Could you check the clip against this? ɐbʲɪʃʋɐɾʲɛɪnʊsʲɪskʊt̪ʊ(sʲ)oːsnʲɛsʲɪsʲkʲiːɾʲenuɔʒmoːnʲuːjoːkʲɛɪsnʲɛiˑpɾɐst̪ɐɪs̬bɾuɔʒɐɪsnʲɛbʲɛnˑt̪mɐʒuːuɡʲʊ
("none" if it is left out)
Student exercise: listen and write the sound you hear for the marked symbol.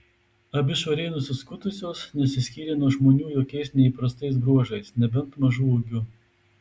sʲ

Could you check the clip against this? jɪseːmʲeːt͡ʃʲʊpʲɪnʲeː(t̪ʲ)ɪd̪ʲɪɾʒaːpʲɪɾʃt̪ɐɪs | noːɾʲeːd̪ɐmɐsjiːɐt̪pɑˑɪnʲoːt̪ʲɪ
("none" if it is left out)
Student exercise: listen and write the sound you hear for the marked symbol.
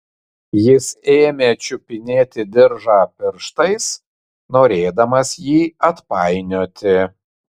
t̪ʲ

